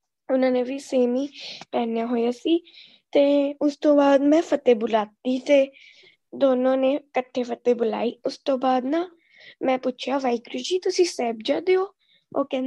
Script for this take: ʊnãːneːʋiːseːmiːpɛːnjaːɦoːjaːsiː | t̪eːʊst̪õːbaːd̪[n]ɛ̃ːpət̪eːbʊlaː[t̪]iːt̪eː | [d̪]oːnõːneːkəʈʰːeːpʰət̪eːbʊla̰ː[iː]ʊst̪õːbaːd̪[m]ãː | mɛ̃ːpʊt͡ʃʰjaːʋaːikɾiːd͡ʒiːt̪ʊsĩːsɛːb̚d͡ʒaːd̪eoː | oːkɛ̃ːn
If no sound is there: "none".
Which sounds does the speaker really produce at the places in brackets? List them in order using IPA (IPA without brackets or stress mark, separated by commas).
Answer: m, t̪, d̪, iː, n